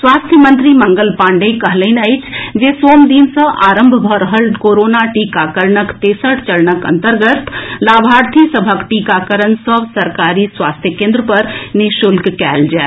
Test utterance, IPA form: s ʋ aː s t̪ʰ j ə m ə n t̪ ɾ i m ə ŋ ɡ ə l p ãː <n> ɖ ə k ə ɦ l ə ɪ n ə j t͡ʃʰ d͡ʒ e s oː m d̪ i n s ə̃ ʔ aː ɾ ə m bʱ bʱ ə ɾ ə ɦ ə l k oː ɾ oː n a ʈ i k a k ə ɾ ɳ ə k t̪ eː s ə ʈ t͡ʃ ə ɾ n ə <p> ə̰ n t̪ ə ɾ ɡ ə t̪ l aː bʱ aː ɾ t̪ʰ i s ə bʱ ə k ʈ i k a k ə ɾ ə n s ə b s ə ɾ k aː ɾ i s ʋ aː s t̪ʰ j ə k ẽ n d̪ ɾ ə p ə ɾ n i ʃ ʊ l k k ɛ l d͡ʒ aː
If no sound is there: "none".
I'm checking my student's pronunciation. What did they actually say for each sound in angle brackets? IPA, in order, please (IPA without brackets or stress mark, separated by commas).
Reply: ɳ, k